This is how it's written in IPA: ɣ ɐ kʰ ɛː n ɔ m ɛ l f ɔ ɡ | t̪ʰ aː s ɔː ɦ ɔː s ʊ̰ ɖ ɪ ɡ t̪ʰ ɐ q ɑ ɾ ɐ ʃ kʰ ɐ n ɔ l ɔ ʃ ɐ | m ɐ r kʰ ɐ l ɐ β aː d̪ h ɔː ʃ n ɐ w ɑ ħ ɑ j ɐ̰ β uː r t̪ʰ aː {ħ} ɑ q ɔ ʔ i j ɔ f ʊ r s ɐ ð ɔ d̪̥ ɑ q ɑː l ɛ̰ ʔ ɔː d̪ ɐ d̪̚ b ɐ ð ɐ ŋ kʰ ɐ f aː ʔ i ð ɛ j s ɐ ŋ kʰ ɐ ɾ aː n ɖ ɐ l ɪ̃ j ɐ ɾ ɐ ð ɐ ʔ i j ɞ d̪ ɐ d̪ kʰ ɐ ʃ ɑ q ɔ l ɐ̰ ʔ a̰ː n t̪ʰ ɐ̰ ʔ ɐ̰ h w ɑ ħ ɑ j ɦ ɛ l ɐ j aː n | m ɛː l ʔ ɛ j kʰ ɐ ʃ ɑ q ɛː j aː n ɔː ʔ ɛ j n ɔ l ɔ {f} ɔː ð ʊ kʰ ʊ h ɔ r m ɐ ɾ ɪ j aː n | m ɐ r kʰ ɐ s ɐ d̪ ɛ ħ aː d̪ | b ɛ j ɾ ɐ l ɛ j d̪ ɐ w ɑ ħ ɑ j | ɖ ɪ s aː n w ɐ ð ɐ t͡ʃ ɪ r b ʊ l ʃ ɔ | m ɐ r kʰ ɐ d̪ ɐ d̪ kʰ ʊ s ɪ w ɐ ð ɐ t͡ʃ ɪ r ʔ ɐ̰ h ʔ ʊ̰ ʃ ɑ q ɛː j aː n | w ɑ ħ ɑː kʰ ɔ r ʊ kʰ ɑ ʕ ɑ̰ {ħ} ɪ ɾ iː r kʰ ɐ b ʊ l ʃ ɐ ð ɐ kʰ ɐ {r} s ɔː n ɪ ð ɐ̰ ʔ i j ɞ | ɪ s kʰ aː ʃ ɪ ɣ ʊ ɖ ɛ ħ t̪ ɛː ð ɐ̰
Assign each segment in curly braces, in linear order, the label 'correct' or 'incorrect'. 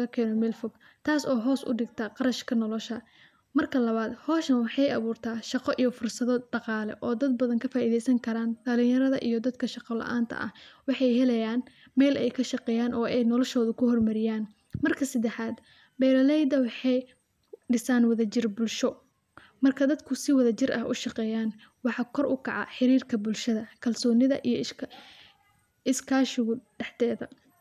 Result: incorrect: ʃ, incorrect: ʃ, correct, incorrect: l

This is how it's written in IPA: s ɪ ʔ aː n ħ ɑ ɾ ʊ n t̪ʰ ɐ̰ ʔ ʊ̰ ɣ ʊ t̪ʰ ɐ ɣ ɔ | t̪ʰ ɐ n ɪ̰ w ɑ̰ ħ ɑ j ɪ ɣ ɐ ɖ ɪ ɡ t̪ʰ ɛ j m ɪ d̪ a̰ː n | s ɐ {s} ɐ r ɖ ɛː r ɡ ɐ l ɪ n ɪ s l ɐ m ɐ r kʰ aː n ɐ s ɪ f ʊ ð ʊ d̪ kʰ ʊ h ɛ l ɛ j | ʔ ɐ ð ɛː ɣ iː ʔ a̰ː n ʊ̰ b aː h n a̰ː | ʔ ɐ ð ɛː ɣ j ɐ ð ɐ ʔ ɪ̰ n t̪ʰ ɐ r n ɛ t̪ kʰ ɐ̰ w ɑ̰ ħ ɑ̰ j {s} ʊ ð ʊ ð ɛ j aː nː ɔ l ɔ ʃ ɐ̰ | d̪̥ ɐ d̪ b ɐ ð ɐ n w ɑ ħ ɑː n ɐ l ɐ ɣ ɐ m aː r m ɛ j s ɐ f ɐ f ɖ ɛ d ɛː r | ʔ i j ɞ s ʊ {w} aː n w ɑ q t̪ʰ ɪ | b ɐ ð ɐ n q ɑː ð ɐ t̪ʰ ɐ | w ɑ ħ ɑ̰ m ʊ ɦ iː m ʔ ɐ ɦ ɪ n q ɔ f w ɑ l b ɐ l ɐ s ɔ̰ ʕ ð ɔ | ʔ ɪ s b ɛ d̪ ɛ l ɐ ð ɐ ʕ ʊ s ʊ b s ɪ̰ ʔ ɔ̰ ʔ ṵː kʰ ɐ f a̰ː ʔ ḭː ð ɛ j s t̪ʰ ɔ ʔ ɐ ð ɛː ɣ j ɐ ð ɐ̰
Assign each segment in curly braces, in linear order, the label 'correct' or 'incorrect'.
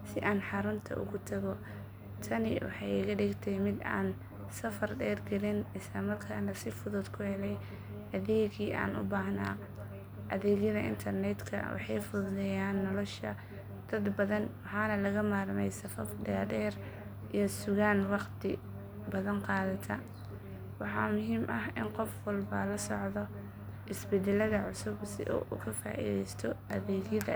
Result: incorrect: f, incorrect: f, incorrect: ɣ

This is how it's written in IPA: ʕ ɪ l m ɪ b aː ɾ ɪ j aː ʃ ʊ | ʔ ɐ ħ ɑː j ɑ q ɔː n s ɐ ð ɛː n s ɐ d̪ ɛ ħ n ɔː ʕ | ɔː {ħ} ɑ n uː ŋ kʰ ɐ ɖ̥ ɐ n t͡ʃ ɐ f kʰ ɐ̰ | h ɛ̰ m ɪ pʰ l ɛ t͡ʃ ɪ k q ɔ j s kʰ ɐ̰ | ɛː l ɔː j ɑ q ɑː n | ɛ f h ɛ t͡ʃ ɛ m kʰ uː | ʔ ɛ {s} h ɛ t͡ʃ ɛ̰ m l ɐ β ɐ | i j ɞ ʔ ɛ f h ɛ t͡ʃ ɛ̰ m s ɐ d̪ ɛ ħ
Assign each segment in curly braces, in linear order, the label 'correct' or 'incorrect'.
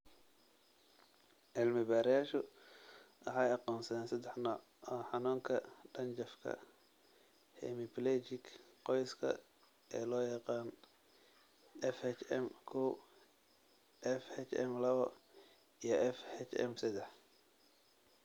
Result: correct, incorrect: f

